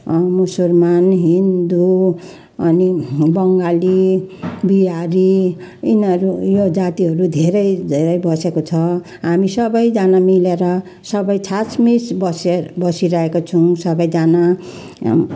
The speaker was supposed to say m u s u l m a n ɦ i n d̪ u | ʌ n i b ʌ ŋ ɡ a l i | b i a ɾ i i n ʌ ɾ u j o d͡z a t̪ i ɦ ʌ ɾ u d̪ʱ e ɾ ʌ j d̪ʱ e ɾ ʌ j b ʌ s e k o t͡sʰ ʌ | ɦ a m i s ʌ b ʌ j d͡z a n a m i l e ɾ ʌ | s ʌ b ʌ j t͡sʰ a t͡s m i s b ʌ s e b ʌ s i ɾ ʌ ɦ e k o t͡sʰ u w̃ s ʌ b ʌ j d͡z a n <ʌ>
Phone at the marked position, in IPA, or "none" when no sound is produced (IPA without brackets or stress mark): a